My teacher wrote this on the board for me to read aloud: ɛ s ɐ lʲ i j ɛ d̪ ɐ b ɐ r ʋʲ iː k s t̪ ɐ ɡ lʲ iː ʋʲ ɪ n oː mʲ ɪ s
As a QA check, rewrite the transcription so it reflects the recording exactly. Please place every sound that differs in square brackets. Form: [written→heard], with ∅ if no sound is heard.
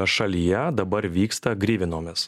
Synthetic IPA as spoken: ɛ [s→ʃ] ɐ lʲ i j ɛ d̪ ɐ b ɐ [r→ɾ] ʋʲ iː k s t̪ ɐ ɡ [lʲ→ɾʲ] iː ʋʲ ɪ n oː mʲ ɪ s